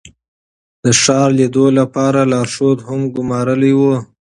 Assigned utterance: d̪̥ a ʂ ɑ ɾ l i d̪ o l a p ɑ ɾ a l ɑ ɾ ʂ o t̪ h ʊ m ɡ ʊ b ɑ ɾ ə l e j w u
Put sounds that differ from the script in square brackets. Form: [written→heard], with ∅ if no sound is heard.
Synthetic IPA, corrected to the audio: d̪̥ [a→ə] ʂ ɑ ɾ l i d̪ o l a p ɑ ɾ a l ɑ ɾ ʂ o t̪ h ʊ m ɡ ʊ [b→m] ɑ ɾ ə l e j w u